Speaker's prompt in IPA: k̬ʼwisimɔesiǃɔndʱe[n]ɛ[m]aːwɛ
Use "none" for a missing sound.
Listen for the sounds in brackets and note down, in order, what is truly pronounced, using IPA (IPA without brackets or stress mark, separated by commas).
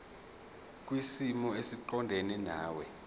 n, n